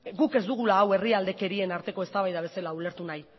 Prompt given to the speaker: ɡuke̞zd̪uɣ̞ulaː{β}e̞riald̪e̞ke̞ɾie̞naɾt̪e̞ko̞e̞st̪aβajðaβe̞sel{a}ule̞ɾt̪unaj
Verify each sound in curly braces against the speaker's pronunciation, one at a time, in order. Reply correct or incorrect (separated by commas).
incorrect, correct